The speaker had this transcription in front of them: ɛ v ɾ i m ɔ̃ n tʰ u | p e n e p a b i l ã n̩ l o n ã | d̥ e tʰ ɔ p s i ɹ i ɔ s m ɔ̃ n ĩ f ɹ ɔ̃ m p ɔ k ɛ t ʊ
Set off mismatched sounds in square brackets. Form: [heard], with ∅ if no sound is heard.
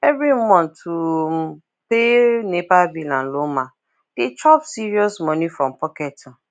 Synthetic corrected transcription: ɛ v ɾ i m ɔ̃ n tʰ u | p e n e p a b i l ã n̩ l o [m] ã | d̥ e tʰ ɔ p s i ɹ i ɔ s m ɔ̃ n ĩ f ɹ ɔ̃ m p ɔ k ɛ t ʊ

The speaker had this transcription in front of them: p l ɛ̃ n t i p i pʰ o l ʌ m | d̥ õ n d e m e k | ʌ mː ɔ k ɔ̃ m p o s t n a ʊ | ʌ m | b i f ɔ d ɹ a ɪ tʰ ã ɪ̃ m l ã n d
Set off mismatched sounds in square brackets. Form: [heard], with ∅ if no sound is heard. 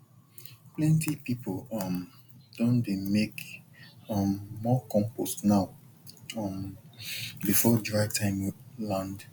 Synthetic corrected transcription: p l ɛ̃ n t i p i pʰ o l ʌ m | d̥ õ n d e m e k | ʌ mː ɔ k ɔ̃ m p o s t n a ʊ | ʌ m | b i f ɔ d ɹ a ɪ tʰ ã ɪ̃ m l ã n d

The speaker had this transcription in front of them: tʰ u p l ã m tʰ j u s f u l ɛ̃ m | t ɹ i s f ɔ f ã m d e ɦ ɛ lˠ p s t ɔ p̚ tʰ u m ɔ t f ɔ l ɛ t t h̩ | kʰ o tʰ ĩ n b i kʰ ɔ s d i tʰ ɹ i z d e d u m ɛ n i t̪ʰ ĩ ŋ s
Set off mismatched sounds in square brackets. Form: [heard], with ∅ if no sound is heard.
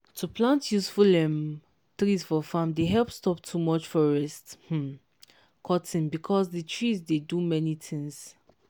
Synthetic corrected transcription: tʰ u p l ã [n] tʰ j u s f u l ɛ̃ m | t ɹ i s f ɔ f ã m d e ɦ ɛ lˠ p s t ɔ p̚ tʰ u m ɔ [t͡ʃ] f ɔ [ɹ] ɛ [s] t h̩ | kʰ [ɔ] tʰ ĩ n b i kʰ ɔ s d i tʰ ɹ i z d e d u m ɛ n i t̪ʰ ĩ ŋ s

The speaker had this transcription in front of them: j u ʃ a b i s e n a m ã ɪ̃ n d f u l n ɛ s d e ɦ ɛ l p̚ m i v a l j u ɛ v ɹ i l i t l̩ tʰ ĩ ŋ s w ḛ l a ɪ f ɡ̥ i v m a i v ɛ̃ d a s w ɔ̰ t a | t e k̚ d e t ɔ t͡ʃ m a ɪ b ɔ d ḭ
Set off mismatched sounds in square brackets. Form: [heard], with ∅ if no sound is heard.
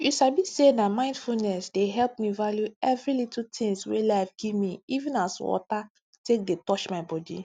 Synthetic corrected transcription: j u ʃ a b i s e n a m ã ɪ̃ n d f u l n ɛ s d e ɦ ɛ l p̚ m i v a l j u ɛ v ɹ i l i t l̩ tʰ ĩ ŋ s w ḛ l a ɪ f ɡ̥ i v m [i] i v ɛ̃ [n] a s w ɔ̰ t a | t e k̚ d e t ɔ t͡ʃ m a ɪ b ɔ d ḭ

